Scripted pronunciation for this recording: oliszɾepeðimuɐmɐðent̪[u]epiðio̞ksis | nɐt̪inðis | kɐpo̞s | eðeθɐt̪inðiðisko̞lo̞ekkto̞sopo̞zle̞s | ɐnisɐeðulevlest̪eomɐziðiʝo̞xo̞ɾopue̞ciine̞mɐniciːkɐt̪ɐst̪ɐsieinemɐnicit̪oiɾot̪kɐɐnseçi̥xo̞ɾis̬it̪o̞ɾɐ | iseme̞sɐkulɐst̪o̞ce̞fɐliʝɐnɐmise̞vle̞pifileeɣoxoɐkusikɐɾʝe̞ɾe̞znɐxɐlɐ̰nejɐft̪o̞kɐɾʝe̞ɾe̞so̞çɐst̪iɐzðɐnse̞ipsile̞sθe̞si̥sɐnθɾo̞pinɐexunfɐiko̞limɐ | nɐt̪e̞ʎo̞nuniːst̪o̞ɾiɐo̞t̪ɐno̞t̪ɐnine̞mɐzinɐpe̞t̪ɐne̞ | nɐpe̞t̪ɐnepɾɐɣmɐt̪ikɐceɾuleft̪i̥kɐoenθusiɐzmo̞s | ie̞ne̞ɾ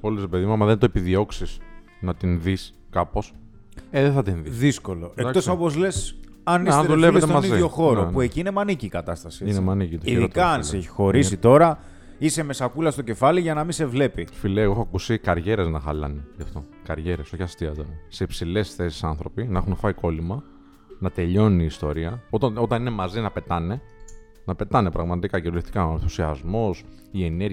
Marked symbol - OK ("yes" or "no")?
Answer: no